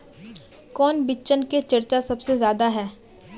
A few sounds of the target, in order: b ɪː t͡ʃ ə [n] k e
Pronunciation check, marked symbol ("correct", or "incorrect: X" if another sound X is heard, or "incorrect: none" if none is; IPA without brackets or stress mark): correct